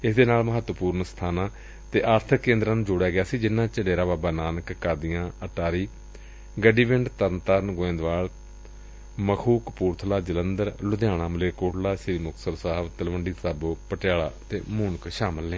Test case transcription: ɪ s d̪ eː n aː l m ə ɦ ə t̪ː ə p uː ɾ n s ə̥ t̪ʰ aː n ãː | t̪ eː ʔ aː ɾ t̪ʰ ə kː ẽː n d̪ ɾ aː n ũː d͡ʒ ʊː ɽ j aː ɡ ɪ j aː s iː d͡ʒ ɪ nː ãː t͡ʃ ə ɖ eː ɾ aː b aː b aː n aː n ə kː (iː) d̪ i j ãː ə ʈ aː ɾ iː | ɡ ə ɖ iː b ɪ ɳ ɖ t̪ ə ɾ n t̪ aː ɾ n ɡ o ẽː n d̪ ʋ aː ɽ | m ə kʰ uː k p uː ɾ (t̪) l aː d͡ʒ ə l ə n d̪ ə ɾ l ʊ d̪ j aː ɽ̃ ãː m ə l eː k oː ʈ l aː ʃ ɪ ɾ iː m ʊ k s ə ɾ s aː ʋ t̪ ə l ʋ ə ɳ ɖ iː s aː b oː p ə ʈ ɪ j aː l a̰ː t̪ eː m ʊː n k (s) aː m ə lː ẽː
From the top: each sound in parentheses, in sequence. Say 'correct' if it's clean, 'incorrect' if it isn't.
incorrect, incorrect, incorrect

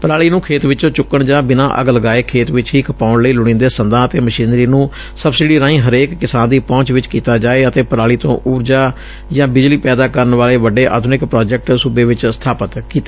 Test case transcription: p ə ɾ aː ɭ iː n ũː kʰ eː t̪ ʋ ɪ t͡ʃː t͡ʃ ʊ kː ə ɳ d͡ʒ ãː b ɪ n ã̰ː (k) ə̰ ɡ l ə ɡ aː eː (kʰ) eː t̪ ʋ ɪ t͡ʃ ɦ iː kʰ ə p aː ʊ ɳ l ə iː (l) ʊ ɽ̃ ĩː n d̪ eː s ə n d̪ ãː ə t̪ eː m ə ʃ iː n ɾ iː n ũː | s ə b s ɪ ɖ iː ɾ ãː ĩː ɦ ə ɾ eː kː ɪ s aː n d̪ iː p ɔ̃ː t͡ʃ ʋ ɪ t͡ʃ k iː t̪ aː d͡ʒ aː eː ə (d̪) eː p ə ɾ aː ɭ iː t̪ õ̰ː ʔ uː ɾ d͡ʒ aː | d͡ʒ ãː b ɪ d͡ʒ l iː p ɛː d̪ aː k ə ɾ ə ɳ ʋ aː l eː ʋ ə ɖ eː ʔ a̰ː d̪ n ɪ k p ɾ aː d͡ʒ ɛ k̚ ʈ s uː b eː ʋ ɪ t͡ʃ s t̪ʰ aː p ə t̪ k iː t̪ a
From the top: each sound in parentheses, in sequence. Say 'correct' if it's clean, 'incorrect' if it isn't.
incorrect, correct, correct, incorrect

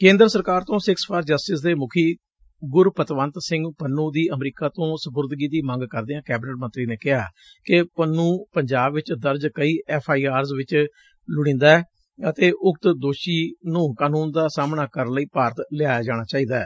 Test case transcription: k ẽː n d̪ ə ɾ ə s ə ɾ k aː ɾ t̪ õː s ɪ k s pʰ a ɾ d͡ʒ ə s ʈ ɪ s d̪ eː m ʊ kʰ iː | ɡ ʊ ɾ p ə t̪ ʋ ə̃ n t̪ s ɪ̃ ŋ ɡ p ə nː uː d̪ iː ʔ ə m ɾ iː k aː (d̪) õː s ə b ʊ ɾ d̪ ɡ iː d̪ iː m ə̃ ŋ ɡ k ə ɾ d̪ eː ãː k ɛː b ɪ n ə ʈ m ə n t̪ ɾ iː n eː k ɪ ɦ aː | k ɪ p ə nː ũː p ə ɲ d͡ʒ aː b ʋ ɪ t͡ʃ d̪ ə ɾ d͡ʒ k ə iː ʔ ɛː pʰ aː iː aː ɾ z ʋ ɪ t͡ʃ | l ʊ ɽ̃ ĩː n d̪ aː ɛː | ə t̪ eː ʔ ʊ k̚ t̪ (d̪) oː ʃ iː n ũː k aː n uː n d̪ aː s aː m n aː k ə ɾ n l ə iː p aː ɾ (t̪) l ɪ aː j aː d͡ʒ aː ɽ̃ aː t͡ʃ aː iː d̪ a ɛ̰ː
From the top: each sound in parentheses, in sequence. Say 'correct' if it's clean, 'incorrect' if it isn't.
incorrect, correct, correct

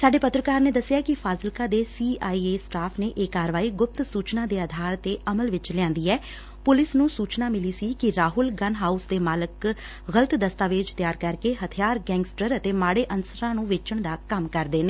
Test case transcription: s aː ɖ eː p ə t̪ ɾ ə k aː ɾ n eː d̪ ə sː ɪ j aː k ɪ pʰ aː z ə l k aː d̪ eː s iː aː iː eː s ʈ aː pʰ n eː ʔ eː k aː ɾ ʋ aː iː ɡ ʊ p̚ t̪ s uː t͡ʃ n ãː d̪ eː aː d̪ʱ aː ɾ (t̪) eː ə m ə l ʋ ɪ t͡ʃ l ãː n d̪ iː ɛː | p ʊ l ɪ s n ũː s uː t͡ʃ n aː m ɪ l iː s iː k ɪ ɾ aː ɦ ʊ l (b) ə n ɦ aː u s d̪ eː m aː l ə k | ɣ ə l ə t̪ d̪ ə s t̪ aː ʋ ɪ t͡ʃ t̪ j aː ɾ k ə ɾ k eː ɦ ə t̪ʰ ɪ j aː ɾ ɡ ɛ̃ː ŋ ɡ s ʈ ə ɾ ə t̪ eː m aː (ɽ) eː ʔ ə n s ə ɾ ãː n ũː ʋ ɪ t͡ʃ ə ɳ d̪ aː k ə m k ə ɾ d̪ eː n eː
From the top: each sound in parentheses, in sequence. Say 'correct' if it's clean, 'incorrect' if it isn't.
correct, incorrect, correct

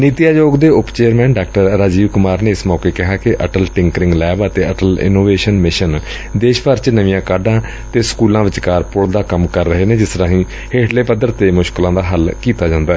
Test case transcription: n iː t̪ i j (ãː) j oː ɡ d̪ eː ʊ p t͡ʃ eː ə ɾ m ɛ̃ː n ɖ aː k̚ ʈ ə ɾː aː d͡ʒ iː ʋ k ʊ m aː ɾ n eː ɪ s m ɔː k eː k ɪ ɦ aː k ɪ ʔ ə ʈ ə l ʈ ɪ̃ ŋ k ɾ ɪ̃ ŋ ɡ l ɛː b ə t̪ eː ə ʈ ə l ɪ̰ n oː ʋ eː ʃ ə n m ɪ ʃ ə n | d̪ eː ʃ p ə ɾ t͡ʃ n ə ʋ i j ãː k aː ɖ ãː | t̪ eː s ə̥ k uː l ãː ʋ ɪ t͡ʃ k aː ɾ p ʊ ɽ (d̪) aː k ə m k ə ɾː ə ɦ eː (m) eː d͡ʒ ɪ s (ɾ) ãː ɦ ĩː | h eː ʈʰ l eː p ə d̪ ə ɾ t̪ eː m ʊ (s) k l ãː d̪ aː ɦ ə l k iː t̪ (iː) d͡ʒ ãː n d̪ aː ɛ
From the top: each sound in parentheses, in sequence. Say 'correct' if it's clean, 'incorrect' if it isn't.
incorrect, correct, incorrect, correct, incorrect, incorrect

